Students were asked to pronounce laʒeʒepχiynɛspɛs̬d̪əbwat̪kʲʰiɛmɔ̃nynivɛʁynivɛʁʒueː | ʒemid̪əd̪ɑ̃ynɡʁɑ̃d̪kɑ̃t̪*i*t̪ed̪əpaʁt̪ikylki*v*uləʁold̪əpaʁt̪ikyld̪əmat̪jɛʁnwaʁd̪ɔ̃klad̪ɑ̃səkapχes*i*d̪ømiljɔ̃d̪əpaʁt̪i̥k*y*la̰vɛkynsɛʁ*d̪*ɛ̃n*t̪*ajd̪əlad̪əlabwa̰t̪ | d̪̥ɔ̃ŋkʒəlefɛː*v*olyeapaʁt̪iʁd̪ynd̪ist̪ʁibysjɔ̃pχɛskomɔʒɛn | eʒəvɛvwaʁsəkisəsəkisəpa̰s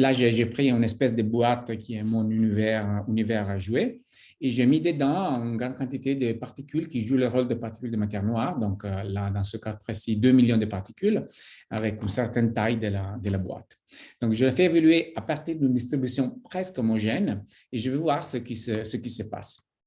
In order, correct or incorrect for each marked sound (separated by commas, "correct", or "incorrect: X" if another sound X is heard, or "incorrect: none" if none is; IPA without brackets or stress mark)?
correct, incorrect: ʒ, correct, correct, incorrect: t̪, correct, correct